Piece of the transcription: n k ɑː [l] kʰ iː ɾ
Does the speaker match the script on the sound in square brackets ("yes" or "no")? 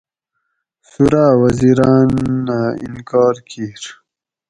no